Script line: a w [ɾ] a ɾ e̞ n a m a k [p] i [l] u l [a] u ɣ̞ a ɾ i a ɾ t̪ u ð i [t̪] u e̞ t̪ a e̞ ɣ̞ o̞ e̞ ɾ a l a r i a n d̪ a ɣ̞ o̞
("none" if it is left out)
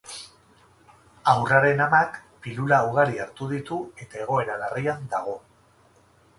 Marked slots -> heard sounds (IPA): r, p, l, a, t̪

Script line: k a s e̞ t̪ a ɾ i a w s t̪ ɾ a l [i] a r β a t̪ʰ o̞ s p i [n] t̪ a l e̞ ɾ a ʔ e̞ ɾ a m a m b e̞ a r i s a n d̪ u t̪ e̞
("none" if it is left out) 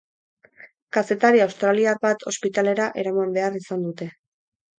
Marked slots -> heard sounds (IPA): i, none

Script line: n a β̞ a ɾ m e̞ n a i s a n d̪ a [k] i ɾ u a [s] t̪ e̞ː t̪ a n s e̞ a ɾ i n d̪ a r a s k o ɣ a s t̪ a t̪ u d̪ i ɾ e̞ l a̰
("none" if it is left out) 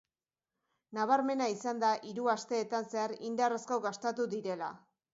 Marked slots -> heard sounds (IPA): ʔ, s

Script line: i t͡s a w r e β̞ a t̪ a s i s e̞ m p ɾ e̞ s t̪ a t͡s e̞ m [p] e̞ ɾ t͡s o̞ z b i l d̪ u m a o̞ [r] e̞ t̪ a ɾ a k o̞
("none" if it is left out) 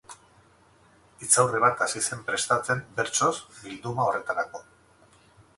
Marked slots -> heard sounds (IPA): b, r

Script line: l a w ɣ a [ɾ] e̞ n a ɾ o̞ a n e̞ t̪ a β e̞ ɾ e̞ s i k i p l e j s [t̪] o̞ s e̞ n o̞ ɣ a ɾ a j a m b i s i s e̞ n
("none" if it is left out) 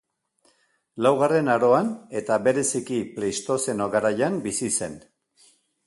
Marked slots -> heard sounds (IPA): r, t̪

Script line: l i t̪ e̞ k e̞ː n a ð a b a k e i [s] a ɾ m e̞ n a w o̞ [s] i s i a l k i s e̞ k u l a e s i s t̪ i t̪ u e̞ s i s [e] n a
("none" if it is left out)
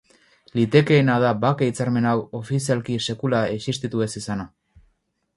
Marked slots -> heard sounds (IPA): t͡s, f, a

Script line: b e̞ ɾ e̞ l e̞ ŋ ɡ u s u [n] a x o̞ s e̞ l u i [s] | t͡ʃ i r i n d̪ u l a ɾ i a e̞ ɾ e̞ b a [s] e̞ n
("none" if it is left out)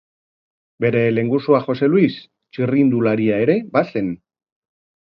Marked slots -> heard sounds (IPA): none, s, s

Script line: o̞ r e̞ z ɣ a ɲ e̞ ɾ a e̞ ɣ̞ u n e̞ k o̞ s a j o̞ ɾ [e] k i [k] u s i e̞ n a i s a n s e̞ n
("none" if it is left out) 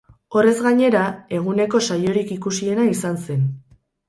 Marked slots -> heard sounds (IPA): i, k

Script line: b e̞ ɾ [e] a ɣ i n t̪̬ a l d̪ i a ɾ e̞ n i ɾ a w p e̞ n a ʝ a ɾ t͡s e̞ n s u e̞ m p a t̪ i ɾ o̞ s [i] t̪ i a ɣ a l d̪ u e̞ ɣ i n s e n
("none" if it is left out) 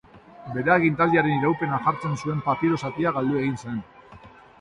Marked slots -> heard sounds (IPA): e, a

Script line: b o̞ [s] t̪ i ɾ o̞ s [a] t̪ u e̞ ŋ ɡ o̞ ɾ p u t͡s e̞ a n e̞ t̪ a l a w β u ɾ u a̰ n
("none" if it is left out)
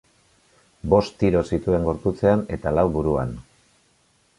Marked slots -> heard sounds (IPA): s, i

